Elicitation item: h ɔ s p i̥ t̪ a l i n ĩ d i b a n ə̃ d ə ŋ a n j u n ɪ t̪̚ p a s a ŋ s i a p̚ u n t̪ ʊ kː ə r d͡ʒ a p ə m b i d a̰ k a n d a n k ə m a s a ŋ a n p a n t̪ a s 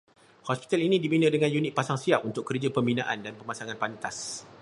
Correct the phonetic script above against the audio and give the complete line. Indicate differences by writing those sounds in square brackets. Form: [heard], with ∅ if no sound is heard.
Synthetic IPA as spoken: h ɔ s p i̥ t̪ a l i n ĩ d i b [i] n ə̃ d ə ŋ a n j u n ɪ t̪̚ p a s a ŋ s i a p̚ u n t̪ ʊ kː ə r d͡ʒ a p ə m b i [n] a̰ [ʔ] a n d a n [p] ə m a s a ŋ a n p a n t̪ a s